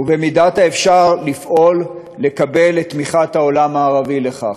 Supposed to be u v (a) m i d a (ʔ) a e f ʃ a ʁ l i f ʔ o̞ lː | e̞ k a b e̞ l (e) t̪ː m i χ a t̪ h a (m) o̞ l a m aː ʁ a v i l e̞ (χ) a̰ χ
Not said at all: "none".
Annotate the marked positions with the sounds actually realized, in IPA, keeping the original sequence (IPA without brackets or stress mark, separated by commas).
e, t, e, none, χ